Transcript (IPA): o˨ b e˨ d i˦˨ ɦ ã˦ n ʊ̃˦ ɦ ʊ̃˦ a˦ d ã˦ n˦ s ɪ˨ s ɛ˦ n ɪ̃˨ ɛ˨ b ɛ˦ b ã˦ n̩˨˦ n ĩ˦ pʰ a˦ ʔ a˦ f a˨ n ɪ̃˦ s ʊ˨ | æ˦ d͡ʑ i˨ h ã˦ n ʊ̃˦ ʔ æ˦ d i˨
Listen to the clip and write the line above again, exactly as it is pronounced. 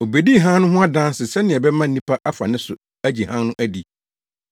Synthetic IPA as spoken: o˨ b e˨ d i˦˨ ɦ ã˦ n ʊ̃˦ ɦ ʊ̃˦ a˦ d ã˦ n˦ s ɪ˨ s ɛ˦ n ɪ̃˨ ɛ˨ b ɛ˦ m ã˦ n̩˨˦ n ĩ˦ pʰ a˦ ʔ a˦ f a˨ n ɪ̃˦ s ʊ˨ | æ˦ d͡ʑ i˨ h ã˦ n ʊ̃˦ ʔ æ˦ d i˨